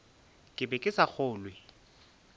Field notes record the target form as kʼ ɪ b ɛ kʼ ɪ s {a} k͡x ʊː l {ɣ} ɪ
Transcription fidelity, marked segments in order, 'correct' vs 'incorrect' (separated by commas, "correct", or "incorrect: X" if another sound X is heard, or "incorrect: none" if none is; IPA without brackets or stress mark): correct, incorrect: w